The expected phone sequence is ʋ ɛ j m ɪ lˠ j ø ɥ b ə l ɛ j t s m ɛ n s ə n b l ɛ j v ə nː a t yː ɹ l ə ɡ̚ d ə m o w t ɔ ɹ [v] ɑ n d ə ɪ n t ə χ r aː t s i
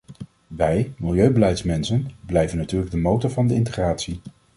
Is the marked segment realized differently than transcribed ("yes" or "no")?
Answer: no